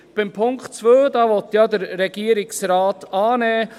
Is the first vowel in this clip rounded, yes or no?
no